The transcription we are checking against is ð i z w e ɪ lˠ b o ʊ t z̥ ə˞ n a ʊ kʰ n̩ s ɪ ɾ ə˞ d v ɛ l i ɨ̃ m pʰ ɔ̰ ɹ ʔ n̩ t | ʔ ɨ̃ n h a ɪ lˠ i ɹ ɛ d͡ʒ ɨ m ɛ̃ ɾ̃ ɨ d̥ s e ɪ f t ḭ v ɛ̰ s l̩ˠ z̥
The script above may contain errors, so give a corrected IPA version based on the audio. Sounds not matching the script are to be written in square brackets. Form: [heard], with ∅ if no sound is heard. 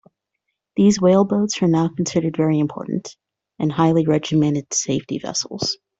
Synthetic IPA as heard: ð i z w e ɪ lˠ b o ʊ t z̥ ə˞ n a ʊ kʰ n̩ s ɪ ɾ ə˞ d v ɛ [ɹ] i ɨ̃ m pʰ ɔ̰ ɹ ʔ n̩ t | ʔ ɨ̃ n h a ɪ lˠ i ɹ ɛ d͡ʒ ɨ m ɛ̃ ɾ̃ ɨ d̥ s e ɪ f t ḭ v ɛ̰ s l̩ˠ z̥